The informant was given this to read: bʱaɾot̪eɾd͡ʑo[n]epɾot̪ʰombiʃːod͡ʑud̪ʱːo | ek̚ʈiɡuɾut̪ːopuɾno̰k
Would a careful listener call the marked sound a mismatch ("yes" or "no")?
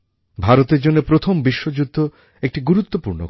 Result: yes